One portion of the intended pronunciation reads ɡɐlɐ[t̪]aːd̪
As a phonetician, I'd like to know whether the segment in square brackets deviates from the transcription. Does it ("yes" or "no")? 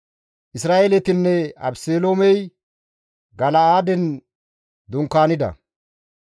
yes